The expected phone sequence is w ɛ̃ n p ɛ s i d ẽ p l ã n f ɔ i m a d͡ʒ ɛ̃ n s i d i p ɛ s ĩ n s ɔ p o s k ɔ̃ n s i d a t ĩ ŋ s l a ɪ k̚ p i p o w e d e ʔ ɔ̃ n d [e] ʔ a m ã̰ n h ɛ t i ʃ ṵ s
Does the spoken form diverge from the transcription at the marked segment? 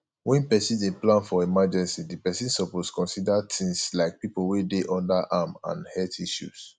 yes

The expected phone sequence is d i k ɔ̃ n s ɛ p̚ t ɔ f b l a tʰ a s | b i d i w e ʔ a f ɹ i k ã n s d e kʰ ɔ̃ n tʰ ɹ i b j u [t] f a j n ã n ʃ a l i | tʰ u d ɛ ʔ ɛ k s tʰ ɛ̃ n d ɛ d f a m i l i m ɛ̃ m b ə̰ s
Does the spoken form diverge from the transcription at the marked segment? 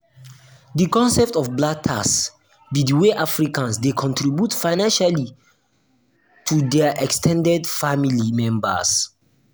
no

